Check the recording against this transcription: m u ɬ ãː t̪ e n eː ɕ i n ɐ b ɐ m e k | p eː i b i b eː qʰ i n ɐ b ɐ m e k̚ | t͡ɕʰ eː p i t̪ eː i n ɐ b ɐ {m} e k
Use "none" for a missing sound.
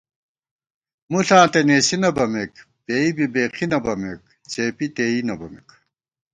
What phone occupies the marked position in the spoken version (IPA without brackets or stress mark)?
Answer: m